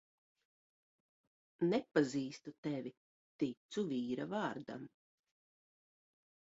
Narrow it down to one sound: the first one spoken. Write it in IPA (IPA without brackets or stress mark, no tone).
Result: n